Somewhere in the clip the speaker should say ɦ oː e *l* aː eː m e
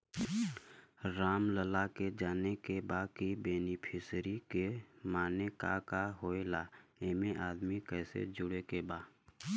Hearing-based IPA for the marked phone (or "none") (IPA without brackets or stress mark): l